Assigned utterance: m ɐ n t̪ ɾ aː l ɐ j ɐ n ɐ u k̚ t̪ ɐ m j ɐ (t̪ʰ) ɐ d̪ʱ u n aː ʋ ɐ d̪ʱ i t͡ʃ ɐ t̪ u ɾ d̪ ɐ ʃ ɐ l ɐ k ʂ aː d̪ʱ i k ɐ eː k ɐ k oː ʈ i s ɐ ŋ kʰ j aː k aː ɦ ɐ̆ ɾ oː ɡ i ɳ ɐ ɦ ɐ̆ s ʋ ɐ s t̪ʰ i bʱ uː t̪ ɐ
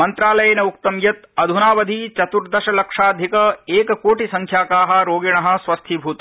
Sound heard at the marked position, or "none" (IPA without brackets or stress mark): t̪